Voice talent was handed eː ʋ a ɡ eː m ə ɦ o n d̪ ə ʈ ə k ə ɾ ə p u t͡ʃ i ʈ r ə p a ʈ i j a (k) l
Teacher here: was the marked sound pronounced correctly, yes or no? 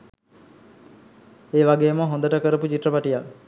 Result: no